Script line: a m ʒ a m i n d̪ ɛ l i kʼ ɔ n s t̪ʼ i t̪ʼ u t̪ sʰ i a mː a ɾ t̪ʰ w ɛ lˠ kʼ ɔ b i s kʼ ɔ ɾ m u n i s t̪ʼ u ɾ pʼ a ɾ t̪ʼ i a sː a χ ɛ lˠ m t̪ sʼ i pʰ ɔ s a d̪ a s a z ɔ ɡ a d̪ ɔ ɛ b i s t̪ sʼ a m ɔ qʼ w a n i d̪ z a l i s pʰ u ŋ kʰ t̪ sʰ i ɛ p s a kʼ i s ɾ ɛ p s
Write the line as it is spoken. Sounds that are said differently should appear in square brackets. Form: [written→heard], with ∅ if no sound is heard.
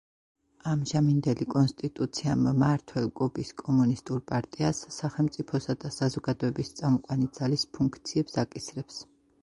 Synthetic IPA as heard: a m ʒ a m i n d̪ ɛ l i kʼ ɔ n s t̪ʼ i t̪ʼ u t̪ sʰ i a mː a ɾ t̪ʰ w ɛ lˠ kʼ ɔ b i s kʼ ɔ [ɾ→∅] m u n i s t̪ʼ u ɾ pʼ a ɾ t̪ʼ i a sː a χ ɛ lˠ m t̪ sʼ i pʰ ɔ s a d̪ a s a z ɔ ɡ a d̪ ɔ ɛ b i s t̪ sʼ a m ɔ qʼ w a n i d̪ z a l i s pʰ u ŋ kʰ t̪ sʰ i ɛ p s a kʼ i s ɾ ɛ p s